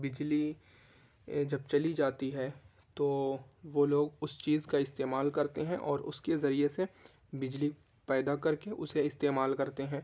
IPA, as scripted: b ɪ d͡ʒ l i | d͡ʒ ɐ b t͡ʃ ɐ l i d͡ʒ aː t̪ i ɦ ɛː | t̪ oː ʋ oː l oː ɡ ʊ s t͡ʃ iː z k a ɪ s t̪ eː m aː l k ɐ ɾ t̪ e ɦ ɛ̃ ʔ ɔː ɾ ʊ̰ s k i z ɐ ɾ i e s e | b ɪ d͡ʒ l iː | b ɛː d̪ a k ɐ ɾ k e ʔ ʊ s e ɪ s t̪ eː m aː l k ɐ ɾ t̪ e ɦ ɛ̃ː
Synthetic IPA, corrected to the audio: b ɪ d͡ʒ l i | d͡ʒ ɐ b t͡ʃ ɐ l i d͡ʒ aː t̪ i ɦ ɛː | t̪ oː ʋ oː l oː ɡ ʊ s t͡ʃ iː z k a ɪ s t̪ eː m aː l k ɐ ɾ t̪ e ɦ ɛ̃ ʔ ɔː ɾ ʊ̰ s k e z ɐ ɾ i e s e | b ɪ d͡ʒ l i | p ɛː d̪ a k ɐ ɾ k e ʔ ʊ s e ɪ s t̪ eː m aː l k ɐ ɾ t̪ e ɦ ɛ̃ː